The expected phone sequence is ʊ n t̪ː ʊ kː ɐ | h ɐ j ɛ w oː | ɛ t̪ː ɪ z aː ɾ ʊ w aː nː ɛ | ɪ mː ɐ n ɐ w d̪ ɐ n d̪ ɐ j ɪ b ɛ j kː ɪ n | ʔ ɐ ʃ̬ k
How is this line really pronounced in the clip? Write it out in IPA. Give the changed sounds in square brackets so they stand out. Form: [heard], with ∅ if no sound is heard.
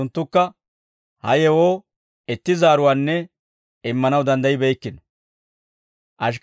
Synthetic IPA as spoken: ʊ n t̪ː ʊ kː ɐ | h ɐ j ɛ w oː | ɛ t̪ː ɪ z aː ɾ ʊ w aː nː ɛ | ɪ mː ɐ n ɐ w d̪ ɐ n d̪ ɐ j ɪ b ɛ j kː ɪ n | ʔ ɐ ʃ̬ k